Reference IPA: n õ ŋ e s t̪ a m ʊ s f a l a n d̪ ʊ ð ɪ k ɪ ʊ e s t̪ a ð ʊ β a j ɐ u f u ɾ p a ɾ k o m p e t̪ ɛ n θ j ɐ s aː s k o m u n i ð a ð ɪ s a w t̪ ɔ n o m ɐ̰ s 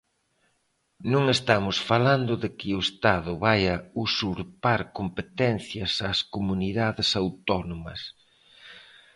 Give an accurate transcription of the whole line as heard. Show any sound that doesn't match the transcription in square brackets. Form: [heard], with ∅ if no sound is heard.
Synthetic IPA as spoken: n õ ŋ e s t̪ a m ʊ s f a l a n d̪ ʊ ð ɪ k ɪ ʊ e s t̪ a ð ʊ β a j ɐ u [s] u ɾ p a ɾ k o m p e t̪ ɛ n θ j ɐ s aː s k o m u n i ð a ð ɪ s a w t̪ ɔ n o m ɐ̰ s